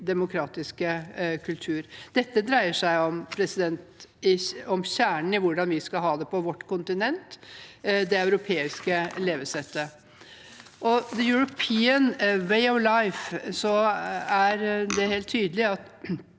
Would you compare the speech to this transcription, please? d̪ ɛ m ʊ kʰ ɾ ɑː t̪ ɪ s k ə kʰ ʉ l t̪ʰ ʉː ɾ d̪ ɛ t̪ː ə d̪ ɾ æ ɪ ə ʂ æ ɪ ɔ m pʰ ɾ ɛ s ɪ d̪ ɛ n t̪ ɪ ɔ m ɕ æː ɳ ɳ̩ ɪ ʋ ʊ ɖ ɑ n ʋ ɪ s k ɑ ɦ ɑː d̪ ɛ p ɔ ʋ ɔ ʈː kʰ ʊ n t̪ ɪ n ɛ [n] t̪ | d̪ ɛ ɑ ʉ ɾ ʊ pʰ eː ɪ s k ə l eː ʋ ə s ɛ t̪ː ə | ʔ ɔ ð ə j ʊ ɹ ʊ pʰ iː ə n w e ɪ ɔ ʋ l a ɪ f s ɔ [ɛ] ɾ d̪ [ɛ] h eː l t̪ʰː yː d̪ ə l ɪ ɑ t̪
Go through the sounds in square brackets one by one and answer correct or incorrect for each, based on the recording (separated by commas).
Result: correct, incorrect, correct